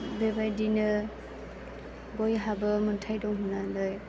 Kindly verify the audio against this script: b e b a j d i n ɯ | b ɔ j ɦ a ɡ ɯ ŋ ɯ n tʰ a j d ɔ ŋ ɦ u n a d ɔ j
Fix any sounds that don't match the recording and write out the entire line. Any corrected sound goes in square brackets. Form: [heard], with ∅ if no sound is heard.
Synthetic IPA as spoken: b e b a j d i n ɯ | b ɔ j ɦ a [b] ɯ [m] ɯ n tʰ a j d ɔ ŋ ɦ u n a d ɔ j